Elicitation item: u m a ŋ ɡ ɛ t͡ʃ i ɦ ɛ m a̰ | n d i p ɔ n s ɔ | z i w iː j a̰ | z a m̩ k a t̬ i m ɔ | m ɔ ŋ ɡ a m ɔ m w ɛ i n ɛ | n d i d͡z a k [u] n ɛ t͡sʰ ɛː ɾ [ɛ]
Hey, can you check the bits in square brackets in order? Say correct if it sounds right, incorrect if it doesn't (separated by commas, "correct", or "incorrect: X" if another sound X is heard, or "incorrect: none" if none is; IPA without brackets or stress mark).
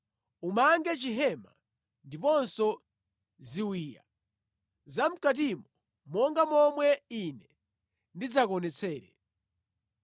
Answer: incorrect: ɔ, correct